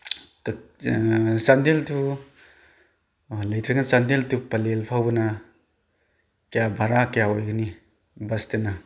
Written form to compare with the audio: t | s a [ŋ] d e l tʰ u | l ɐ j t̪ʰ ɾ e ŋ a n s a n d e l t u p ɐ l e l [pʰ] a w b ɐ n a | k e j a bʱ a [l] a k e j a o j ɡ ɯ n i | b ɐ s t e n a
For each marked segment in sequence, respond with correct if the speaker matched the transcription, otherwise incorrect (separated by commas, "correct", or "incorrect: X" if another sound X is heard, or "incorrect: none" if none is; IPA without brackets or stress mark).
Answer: incorrect: n, correct, incorrect: ɾ